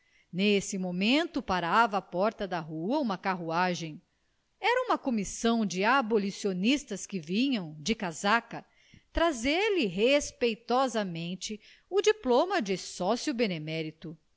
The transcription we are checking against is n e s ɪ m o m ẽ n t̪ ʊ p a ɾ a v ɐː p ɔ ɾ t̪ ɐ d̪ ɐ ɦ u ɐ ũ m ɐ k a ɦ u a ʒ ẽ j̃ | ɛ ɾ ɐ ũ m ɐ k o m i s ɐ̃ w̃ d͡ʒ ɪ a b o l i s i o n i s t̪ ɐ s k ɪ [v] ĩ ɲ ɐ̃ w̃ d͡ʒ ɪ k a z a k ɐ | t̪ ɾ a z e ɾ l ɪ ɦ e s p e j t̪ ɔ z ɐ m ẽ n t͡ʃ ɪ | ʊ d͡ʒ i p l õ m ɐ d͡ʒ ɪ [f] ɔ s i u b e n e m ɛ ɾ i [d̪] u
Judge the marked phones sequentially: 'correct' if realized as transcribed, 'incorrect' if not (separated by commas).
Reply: correct, incorrect, incorrect